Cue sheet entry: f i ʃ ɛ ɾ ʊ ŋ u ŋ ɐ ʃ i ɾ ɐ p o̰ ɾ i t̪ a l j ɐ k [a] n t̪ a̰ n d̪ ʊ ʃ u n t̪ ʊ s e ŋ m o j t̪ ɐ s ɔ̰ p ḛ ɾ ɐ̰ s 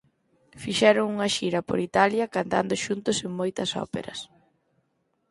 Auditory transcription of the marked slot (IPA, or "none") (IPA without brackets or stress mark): a